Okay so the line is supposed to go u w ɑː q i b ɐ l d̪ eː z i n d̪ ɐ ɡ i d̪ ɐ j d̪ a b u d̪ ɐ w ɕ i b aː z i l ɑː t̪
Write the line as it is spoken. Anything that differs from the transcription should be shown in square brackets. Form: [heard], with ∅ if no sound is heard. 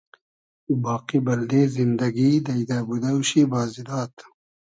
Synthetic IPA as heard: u [b] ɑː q i b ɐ l d̪ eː z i n d̪ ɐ ɡ i d̪ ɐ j d̪ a b u d̪ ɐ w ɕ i b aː z i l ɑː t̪